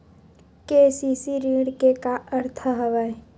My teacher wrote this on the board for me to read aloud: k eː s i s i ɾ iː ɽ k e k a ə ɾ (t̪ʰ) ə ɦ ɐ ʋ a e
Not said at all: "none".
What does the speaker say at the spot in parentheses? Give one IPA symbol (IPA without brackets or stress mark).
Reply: t̪ʰ